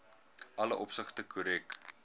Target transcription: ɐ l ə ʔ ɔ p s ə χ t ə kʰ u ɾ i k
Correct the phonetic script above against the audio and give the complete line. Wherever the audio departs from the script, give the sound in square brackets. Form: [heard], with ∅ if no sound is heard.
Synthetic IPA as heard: ɐ l ə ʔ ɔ p s ə χ t ə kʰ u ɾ [ɛ] k